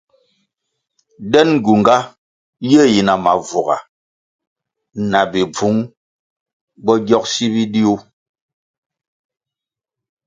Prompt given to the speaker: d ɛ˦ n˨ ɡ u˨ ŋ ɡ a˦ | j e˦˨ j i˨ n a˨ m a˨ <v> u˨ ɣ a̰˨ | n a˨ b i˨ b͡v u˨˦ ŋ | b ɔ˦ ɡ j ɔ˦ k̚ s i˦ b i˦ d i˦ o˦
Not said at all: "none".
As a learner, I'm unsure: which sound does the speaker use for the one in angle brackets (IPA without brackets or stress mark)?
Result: v